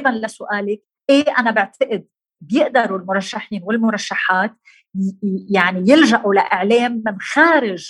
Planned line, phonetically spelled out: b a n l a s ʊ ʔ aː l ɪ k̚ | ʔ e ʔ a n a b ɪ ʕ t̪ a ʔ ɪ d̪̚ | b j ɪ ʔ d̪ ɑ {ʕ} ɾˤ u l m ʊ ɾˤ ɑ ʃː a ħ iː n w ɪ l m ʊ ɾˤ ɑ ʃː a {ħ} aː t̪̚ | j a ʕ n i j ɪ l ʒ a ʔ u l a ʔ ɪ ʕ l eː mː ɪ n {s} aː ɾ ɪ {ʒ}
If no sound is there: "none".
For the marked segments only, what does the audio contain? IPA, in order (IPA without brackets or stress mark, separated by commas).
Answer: none, ħ, x, ʒ